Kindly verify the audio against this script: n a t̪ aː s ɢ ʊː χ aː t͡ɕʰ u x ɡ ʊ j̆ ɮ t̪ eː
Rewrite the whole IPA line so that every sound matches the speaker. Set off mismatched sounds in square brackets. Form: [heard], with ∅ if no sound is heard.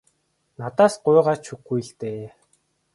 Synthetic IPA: n a t̪ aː s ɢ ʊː [ʁ] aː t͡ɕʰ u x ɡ [u] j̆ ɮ t̪ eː